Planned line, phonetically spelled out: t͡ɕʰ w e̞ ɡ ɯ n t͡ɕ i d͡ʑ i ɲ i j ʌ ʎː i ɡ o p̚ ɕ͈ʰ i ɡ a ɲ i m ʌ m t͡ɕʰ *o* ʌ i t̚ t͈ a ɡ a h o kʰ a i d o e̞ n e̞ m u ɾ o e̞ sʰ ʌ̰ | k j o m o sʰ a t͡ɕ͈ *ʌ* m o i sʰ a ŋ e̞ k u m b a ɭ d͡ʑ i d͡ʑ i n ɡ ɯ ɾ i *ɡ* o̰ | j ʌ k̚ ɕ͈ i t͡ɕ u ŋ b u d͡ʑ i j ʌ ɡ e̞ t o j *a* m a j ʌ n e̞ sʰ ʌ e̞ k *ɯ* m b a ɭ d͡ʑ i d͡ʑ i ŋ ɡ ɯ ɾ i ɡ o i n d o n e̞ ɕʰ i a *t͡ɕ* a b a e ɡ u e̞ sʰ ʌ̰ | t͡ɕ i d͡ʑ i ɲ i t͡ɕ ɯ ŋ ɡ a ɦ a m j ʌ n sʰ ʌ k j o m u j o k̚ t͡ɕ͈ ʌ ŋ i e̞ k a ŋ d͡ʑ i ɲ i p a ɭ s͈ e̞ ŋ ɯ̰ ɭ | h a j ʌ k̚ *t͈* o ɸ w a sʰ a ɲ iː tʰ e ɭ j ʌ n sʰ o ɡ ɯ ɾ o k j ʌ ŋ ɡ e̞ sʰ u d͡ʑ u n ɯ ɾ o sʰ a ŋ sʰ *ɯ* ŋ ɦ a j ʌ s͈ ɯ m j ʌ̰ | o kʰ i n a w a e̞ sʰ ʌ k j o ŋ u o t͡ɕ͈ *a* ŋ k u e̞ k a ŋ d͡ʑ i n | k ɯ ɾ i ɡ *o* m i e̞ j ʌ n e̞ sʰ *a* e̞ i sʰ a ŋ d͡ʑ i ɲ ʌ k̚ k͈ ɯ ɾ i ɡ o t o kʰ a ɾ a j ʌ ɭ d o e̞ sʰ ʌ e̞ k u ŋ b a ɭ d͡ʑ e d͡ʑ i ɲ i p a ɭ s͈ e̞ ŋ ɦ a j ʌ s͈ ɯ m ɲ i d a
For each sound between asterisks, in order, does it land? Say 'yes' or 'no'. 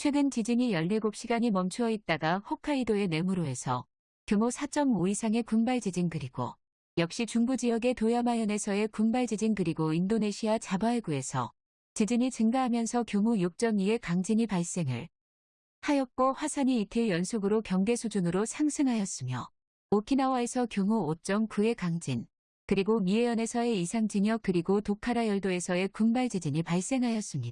no, yes, yes, yes, no, yes, no, yes, no, yes, no

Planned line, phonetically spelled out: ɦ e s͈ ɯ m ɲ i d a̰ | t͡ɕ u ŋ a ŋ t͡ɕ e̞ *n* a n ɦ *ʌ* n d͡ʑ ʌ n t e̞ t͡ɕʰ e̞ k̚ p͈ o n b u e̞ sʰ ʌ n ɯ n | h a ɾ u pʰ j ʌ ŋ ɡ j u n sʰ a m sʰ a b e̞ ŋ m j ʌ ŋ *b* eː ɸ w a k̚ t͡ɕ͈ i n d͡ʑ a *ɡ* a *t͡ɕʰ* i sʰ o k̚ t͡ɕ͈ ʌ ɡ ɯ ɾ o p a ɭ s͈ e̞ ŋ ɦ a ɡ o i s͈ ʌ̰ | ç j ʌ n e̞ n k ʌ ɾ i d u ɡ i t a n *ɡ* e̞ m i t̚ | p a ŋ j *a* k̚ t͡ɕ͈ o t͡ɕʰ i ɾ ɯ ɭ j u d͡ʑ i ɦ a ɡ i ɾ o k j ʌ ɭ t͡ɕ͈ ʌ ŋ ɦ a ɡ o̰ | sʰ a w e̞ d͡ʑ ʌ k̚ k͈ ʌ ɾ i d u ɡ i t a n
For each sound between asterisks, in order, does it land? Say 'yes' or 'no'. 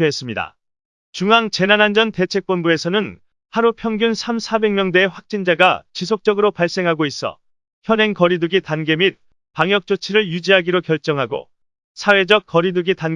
yes, no, no, yes, no, yes, no

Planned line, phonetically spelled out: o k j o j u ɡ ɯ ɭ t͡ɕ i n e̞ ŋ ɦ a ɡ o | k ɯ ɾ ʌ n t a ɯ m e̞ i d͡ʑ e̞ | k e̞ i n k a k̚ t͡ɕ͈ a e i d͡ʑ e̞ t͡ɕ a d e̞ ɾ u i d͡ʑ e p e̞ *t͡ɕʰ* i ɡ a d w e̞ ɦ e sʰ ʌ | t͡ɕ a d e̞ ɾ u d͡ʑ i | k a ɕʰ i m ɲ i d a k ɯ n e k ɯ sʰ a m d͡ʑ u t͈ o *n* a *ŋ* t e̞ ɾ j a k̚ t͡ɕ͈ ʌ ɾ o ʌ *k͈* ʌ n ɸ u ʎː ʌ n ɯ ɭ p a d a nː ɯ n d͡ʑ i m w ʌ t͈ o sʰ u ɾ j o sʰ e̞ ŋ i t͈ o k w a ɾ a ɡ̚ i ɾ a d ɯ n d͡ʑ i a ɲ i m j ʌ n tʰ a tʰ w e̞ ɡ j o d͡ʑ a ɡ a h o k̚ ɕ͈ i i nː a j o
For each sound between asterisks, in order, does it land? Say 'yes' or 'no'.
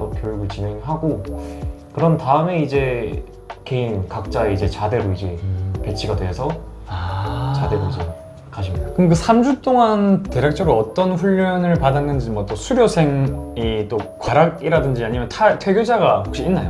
yes, no, no, no

